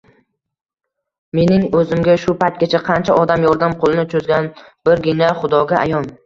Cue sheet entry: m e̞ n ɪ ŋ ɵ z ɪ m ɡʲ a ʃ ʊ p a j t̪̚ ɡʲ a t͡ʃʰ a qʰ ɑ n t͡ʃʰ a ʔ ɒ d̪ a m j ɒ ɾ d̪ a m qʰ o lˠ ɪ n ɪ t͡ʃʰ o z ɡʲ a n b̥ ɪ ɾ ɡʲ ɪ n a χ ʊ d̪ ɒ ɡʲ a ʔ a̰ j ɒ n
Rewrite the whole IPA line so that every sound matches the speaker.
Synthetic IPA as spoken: m e̞ n ɪ ŋ ɵ z ɪ m ɡʲ a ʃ ʊ p a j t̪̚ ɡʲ a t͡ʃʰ a qʰ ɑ n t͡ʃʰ a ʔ ɒ d̪ a m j ɒ ɾ d̪ a m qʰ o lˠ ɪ n ɪ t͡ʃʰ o z ɡʲ a n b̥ ɪ ɾ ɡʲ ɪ n a χ ʊ d̪ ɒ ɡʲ a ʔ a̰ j ɒ n

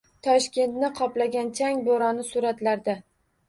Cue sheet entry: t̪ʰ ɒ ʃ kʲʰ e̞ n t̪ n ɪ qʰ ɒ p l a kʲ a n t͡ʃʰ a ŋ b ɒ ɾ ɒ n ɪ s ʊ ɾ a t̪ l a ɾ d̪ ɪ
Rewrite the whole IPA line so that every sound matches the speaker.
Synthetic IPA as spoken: t̪ʰ ɒ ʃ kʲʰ e̞ n t̪ n ɪ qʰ ɒ p l a ɡʲ a n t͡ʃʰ a ŋ b o ɾ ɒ n ɪ s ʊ ɾ a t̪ l a ɾ d̪ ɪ

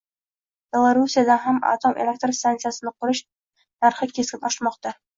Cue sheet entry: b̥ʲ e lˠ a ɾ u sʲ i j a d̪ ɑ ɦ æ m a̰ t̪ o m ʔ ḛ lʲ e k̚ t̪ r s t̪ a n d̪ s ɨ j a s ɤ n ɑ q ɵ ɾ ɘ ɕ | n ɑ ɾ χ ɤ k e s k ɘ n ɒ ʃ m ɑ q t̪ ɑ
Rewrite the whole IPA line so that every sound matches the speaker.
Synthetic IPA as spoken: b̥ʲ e lˠ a ɾ u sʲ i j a d̪ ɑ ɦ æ m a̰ t̪ o m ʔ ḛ lʲ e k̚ t̪ r s t̪ a n t̪ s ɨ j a s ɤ n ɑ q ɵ ɾ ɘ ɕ | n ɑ ɾ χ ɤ k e s k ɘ n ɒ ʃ m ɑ q t̪ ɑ

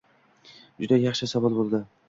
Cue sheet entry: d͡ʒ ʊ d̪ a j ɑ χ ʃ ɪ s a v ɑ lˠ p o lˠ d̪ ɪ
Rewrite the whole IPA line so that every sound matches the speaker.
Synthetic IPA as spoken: d͡ʒ ʊ d̪ a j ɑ χ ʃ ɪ s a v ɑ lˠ b o lˠ d̪ ɪ

